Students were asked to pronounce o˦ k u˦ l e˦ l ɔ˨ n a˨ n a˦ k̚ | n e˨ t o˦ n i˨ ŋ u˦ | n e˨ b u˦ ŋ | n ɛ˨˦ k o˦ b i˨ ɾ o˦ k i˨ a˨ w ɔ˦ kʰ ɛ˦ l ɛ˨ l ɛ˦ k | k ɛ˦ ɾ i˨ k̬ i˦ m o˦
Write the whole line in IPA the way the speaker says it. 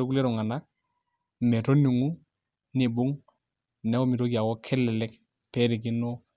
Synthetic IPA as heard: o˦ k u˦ l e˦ ɾ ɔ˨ ŋ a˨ n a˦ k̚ | m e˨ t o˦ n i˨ ŋ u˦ | n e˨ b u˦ ŋ | n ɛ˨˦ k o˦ m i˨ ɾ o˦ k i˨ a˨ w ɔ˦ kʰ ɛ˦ l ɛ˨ l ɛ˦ k | p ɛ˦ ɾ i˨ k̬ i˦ n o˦